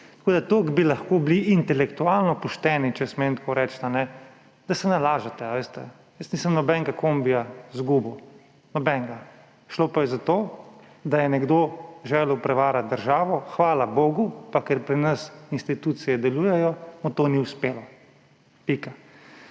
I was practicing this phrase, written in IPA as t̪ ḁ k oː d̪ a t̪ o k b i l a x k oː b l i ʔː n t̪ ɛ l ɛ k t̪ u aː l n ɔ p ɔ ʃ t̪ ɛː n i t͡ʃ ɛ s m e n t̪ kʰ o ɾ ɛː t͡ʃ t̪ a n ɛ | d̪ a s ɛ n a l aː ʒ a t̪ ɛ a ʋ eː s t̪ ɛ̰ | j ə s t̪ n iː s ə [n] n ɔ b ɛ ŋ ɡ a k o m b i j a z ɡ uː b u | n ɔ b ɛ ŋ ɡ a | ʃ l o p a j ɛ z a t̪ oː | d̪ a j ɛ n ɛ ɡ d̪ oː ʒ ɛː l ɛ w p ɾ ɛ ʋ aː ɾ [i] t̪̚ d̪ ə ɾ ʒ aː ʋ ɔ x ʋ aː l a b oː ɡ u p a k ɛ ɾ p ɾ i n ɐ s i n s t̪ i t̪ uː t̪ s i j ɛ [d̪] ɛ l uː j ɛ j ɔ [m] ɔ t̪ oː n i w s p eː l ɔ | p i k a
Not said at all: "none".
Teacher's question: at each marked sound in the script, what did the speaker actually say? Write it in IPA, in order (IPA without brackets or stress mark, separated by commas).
m, a, d̪, m